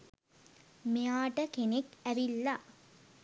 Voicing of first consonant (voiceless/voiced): voiced